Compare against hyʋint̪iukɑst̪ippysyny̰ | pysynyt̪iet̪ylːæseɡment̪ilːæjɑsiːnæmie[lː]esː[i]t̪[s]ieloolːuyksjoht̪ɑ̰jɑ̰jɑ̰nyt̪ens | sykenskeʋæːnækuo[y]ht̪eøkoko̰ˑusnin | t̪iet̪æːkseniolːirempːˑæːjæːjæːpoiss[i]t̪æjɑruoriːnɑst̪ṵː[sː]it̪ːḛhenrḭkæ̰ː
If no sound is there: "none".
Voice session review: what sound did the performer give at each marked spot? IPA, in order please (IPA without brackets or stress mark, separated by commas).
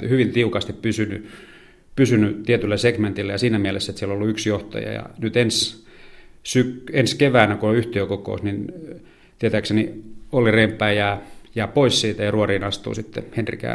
l, e, s, y, iː, s